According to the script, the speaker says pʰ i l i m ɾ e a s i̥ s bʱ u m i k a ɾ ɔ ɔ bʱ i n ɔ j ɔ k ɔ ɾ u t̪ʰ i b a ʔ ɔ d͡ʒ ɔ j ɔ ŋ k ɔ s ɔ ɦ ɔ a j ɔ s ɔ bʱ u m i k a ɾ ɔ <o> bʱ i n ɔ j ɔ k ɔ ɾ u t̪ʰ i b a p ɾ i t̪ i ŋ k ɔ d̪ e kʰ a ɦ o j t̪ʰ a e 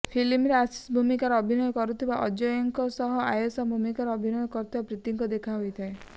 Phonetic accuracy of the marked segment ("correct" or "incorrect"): incorrect